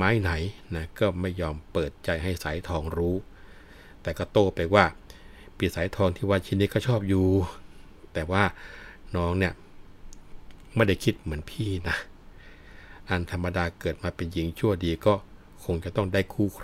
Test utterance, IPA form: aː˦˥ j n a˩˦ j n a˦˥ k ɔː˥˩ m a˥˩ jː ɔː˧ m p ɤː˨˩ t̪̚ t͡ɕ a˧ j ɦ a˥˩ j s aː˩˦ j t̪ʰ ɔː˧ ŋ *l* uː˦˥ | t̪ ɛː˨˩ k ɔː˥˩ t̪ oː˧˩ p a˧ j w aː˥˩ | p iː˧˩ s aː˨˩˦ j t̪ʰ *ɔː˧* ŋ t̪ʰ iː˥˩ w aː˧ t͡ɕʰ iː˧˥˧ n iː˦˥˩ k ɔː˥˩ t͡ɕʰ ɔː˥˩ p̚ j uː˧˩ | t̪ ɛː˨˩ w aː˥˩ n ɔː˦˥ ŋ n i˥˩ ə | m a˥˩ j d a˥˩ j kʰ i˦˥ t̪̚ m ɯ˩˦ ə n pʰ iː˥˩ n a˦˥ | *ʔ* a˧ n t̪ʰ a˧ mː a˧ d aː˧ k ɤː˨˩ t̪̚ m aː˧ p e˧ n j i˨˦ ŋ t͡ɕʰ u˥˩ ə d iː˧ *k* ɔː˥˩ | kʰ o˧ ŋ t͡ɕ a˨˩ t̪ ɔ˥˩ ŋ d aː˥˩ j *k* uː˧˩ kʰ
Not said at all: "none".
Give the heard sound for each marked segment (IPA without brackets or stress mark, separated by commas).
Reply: ɾ, ɔː˧, ʔ, k, kʰ